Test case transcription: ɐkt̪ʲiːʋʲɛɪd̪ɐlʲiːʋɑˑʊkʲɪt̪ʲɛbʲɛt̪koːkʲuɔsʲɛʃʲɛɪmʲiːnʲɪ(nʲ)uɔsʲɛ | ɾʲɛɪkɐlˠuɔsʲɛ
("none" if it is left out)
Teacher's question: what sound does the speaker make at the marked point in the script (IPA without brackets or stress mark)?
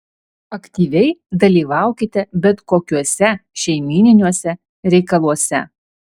nʲ